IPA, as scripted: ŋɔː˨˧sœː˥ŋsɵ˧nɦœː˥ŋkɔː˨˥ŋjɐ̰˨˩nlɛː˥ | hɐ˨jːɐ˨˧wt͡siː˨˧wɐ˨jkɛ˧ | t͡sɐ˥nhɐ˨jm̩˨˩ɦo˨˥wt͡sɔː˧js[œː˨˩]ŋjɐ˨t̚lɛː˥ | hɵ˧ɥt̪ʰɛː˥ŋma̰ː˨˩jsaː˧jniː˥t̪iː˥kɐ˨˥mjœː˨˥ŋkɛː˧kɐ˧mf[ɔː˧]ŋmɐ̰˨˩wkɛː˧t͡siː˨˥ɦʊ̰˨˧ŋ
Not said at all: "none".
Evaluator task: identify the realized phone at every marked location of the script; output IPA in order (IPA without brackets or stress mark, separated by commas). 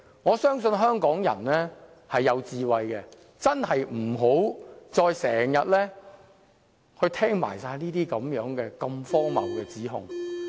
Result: ɛː˨˩, ɔː˥